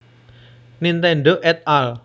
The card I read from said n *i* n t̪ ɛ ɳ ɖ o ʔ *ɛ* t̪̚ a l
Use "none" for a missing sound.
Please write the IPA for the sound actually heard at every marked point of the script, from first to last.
i, ɛ

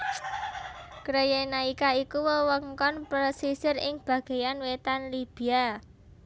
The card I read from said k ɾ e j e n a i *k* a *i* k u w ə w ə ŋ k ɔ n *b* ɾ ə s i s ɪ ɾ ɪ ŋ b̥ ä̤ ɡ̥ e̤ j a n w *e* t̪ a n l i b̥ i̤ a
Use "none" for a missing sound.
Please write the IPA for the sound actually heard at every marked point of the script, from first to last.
k, i, p, e

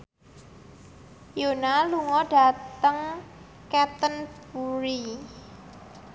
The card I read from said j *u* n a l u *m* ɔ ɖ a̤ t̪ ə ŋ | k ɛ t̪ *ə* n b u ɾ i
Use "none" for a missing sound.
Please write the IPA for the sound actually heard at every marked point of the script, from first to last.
o, ŋ, ə

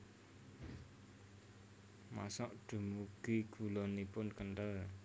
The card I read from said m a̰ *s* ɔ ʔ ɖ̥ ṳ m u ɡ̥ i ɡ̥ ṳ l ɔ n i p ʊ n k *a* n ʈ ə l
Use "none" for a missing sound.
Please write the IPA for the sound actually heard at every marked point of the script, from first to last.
s, ə

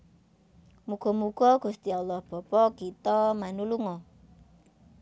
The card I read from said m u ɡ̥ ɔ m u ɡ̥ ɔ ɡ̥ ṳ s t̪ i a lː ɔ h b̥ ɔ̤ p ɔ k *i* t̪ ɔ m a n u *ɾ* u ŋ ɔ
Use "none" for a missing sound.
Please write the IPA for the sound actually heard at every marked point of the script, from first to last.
i, l

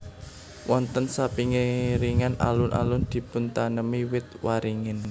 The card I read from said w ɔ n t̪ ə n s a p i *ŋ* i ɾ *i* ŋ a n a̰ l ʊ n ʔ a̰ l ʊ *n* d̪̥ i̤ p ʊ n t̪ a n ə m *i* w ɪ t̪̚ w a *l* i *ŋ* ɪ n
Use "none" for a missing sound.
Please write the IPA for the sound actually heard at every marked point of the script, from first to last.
ŋ, i, n, i, ɾ, ŋ

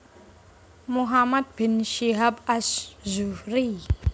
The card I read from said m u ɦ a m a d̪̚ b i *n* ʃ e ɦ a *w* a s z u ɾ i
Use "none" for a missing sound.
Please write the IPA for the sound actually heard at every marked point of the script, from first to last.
n, b

